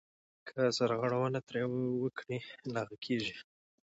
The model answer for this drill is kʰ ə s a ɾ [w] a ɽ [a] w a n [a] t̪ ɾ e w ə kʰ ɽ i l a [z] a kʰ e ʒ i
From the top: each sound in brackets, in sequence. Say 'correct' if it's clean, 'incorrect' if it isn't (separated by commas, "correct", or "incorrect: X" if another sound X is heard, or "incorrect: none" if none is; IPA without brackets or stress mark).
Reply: incorrect: ɣ, correct, correct, incorrect: ɣ